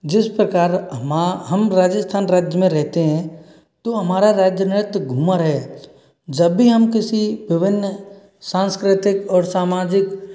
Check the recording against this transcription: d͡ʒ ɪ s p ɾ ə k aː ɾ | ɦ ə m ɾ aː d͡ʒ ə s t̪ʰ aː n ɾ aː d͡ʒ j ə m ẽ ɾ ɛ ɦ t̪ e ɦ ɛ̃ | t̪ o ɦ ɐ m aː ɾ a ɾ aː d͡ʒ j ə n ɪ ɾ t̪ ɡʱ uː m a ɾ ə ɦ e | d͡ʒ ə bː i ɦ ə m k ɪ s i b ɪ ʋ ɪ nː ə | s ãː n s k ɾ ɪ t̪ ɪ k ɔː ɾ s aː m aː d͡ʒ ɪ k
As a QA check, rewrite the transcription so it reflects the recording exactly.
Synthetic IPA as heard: d͡ʒ ɪ s p ɾ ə k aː ɾ | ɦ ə m ɾ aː d͡ʒ ə s t̪ʰ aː n ɾ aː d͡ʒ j ə m ẽ ɾ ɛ ɦ t̪ e ɦ ɛ̃ | t̪ o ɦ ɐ m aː ɾ a ɾ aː d͡ʒ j ə n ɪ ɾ t̪ ɡʱ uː m a ɾ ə ɦ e | d͡ʒ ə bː i ɦ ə m k ɪ s i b ɪ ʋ ɪ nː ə | s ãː n s k ɾ ɪ t̪ ɪ k ɔː ɾ s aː m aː d͡ʒ ɪ k